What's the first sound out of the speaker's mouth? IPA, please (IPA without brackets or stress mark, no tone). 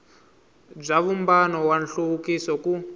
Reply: b͡ʐ